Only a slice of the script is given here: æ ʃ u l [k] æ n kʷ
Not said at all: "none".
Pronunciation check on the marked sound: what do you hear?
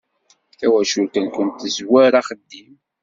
k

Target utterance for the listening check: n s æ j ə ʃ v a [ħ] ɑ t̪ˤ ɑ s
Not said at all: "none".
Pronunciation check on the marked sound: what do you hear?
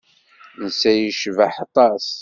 ħ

